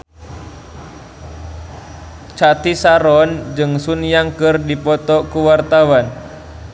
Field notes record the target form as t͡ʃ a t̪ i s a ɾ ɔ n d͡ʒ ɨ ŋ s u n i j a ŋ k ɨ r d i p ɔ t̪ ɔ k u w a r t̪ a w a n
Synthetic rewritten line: t͡ʃ a t̪ i s a ɾ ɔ n d͡ʒ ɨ ŋ s u n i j a ŋ k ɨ r d i p ɔ t̪ ɔ k u w a r t̪ a w a n